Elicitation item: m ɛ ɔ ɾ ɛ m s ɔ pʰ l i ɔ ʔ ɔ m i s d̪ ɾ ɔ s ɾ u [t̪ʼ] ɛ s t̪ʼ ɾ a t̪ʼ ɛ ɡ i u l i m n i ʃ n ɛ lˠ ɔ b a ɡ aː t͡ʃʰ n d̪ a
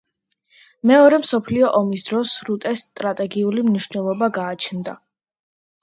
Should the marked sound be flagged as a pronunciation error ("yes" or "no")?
no